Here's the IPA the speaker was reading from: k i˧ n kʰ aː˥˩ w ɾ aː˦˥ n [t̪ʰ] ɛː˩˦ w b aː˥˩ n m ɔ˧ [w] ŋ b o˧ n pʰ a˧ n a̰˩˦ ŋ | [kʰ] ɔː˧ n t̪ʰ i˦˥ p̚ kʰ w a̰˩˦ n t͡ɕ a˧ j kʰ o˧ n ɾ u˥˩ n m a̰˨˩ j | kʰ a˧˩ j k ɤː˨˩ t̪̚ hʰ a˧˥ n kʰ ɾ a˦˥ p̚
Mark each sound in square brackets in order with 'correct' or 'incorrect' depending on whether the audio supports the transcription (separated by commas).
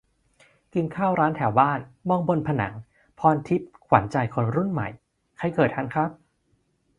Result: correct, incorrect, incorrect